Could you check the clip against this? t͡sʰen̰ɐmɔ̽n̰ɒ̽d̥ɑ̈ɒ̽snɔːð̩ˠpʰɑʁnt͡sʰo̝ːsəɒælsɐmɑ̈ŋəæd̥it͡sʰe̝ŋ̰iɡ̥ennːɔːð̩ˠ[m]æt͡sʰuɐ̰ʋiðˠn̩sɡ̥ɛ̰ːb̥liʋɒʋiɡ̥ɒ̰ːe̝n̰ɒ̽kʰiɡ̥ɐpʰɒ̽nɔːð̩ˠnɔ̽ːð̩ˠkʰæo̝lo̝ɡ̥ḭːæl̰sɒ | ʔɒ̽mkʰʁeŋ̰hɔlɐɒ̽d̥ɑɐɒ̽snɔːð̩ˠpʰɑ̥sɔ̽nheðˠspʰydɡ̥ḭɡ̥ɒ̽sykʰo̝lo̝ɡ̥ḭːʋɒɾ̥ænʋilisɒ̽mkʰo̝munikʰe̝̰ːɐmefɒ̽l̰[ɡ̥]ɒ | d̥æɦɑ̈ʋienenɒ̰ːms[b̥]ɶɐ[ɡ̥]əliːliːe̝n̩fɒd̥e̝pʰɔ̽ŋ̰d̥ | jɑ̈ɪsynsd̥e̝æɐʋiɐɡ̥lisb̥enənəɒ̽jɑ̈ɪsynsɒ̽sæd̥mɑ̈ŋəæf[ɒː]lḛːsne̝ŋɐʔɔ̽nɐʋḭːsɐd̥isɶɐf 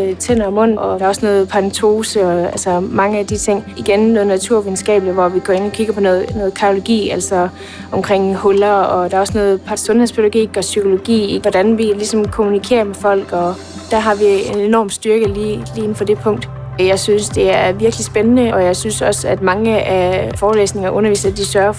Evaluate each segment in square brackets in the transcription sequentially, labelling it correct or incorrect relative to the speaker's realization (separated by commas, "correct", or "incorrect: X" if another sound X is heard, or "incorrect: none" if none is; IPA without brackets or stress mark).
incorrect: n, correct, incorrect: d̥, correct, correct